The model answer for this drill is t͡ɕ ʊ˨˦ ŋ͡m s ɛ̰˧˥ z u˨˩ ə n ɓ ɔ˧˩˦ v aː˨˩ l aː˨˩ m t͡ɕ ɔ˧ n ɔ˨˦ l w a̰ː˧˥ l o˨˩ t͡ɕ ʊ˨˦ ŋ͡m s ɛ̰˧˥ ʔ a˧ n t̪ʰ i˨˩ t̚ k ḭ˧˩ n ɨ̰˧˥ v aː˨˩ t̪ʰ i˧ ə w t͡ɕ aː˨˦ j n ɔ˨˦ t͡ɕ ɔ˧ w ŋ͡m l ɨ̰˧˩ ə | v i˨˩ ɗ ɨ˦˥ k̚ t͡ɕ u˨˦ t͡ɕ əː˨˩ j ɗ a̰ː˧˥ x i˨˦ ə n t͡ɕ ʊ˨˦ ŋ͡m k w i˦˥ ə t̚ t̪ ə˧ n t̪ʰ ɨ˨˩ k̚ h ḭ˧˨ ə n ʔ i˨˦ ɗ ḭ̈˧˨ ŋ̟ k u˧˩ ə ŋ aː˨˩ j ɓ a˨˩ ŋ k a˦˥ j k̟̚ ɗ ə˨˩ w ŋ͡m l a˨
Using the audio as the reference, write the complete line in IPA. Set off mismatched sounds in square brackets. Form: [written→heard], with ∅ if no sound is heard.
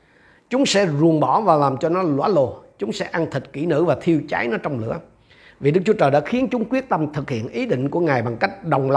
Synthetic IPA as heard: t͡ɕ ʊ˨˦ ŋ͡m s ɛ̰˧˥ z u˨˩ ə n ɓ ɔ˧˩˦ v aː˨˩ l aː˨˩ m t͡ɕ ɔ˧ n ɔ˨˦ l w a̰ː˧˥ l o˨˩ t͡ɕ ʊ˨˦ ŋ͡m s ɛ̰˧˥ ʔ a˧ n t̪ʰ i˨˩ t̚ k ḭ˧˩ n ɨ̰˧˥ v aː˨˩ t̪ʰ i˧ ə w t͡ɕ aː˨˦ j n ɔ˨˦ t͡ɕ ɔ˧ w ŋ͡m l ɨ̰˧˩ ə | v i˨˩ ɗ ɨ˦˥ k̚ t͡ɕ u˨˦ t͡ɕ əː˨˩ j ɗ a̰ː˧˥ x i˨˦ ə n t͡ɕ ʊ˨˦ ŋ͡m k w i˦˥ ə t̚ t̪ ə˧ [n→m] t̪ʰ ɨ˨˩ k̚ h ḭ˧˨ ə n ʔ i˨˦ ɗ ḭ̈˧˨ ŋ̟ k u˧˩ ə ŋ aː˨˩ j ɓ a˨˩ ŋ k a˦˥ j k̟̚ ɗ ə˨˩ w ŋ͡m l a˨